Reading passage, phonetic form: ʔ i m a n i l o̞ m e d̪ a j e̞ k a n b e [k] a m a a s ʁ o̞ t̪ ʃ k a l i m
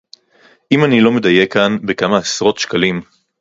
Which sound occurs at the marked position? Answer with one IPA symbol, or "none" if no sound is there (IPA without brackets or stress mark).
k